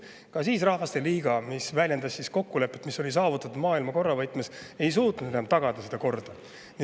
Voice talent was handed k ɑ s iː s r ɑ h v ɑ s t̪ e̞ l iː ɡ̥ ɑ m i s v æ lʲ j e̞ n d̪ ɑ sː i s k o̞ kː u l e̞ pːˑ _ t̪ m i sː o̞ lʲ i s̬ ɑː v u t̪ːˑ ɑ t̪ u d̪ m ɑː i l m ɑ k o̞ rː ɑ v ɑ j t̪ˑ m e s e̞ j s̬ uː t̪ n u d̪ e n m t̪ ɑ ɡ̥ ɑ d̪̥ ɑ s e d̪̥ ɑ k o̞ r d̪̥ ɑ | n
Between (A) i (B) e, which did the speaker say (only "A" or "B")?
B